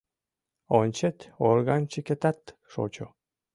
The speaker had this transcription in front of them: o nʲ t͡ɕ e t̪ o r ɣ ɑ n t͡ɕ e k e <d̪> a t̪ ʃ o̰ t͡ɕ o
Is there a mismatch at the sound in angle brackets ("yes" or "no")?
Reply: yes